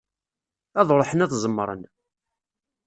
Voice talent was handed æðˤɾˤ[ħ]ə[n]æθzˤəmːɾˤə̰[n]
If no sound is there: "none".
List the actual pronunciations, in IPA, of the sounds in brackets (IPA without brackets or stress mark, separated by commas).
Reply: ħ, n, n